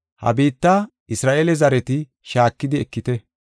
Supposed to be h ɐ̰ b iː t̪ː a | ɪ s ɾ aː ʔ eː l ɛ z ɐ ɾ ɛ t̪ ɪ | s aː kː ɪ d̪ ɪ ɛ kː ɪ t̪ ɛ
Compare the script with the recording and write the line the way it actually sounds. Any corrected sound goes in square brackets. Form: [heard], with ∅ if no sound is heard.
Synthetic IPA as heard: h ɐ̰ b iː t̪ː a | ɪ s ɾ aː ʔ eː l ɛ z ɐ ɾ ɛ t̪ ɪ | [ʃ] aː kː ɪ d̪ ɪ ɛ kː ɪ t̪ ɛ